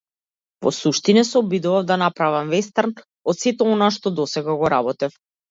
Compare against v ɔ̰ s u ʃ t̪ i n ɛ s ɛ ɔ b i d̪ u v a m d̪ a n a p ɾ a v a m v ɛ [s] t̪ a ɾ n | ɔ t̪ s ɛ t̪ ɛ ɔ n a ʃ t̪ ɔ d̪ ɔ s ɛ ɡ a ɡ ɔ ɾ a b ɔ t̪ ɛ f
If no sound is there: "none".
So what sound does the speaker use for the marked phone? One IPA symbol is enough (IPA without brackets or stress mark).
s